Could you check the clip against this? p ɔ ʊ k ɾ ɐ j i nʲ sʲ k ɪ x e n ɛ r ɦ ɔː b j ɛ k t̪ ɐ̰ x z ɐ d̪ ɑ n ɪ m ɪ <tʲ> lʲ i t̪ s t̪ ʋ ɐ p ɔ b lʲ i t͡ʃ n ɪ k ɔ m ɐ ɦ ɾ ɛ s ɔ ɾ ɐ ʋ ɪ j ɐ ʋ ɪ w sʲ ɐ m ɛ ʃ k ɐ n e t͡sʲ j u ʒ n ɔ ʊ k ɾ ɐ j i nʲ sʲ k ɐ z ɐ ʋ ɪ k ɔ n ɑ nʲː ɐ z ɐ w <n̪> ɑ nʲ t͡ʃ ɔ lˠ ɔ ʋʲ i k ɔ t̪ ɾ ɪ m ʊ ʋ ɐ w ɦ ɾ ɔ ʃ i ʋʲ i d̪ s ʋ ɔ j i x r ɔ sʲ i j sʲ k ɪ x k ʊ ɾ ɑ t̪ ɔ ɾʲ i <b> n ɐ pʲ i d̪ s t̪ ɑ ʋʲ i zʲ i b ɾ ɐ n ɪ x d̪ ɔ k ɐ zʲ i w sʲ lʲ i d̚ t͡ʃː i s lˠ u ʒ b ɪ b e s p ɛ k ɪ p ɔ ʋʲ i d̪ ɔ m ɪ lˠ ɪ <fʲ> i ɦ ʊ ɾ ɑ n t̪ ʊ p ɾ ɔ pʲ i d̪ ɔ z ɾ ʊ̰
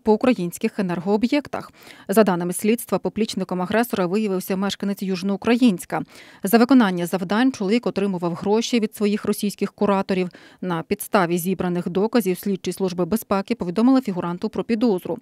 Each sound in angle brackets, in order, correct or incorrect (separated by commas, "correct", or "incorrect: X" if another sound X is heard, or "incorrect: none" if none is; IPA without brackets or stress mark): incorrect: sʲ, incorrect: d̪, incorrect: w, correct